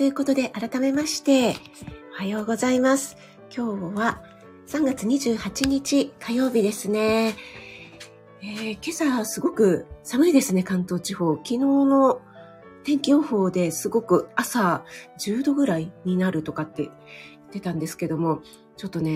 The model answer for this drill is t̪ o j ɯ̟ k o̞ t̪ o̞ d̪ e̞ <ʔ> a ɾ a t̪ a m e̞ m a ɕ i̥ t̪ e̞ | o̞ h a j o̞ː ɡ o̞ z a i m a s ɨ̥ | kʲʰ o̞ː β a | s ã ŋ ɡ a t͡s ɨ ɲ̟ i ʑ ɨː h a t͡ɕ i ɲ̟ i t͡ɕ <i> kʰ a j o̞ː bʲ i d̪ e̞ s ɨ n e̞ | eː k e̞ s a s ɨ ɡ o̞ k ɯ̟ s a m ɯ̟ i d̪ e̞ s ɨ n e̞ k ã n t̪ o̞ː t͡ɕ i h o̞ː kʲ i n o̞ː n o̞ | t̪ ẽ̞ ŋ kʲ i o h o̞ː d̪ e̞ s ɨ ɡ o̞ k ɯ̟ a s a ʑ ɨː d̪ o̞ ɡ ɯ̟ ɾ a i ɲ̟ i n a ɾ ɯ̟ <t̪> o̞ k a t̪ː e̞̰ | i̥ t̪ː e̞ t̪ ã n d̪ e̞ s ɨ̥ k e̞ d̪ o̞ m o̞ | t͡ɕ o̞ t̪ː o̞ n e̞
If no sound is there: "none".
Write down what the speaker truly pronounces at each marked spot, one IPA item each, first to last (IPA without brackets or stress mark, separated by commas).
ʔ, i, t̪